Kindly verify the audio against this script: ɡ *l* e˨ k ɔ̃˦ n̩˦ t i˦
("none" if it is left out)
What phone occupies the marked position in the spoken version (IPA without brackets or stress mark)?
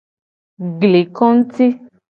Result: l